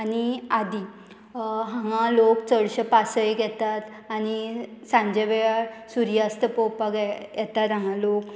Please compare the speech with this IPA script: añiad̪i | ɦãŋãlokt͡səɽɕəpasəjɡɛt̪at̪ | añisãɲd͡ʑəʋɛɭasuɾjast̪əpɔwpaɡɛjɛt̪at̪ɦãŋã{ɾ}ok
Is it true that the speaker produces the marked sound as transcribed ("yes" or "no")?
no